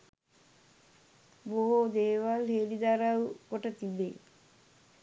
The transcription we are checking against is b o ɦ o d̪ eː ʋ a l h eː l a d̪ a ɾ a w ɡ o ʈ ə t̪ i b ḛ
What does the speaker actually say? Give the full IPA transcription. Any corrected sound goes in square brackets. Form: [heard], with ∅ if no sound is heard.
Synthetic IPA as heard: b o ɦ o d̪ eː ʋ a l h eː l [i] d̪ a ɾ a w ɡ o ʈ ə t̪ i b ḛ